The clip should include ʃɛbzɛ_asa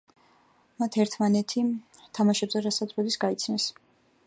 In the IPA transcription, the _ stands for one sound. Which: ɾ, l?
ɾ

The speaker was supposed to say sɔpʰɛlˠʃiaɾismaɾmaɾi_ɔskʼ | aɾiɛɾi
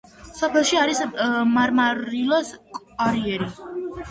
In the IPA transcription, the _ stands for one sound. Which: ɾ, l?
l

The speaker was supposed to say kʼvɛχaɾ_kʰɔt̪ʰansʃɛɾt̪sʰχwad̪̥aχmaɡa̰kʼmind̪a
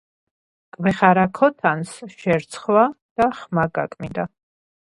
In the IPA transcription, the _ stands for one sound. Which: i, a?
a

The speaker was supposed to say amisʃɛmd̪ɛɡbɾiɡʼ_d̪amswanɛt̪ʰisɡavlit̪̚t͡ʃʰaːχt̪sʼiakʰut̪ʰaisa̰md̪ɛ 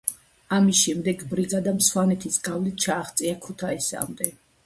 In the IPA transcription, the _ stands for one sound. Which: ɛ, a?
a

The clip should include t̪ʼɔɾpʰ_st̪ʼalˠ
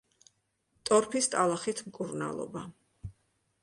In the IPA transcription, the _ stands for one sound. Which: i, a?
i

